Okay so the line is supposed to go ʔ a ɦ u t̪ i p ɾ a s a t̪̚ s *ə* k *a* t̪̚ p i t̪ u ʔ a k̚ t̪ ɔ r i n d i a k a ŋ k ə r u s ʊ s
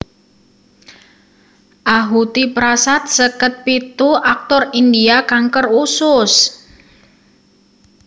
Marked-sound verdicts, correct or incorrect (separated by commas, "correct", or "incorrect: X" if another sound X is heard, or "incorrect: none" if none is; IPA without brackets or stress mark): correct, incorrect: ə